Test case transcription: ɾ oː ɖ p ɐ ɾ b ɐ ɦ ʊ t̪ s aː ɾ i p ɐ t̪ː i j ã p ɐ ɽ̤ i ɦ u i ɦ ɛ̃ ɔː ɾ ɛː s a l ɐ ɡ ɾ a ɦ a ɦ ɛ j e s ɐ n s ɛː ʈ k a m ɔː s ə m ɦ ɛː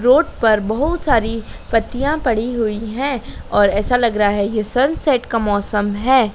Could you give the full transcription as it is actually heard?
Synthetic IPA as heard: ɾ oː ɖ p ɐ ɾ b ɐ ɦ ʊ t̪ s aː ɾ i p ɐ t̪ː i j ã p ɐ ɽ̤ i ɦ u i ɦ ɛ̃ ɔː ɾ ɛː s a l ɐ ɡ ɾ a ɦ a ɦ ɛ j e s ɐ n s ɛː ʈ k a m ɔː s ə m ɦ ɛː